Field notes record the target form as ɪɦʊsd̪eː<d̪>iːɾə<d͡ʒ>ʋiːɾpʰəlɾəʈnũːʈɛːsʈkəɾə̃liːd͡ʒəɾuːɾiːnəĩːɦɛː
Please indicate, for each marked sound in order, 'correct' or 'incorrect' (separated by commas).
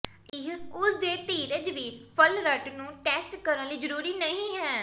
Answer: incorrect, correct